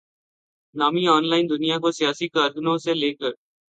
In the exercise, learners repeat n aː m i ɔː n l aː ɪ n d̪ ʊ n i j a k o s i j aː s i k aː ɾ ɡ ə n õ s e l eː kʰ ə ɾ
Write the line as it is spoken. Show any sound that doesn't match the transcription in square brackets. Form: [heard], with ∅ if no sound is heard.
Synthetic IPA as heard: n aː m i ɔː n l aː ɪ n d̪ ʊ n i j a k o s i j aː s i k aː ɾ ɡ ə n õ s e l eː [k] ə ɾ